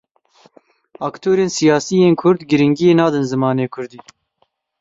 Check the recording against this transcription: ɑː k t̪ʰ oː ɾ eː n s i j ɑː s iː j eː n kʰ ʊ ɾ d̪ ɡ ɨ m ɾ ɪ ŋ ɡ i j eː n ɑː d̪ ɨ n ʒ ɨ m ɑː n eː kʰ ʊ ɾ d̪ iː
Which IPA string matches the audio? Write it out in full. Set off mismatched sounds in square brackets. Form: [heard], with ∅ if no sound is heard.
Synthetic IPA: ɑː k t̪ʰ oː ɾ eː n s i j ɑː s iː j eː n kʰ ʊ ɾ d̪ ɡ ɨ [∅] ɾ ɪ ŋ ɡ i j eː n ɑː d̪ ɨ n [z] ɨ m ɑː n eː kʰ ʊ ɾ d̪ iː